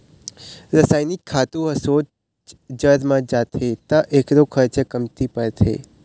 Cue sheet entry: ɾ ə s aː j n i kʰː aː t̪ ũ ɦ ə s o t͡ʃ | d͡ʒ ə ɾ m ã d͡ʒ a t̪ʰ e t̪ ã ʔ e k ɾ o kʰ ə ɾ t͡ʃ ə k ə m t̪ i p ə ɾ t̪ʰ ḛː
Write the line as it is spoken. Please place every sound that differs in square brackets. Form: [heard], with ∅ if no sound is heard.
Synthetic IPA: ɾ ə s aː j n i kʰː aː t̪ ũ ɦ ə s o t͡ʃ | d͡ʒ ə ɾ m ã d͡ʒ a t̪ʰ e t̪ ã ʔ e k ɾ o kʰ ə ɾ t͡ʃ ə k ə m t̪ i p ə ɾ t̪ʰ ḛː